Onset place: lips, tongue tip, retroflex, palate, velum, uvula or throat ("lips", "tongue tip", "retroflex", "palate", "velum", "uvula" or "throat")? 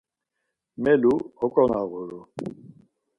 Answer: lips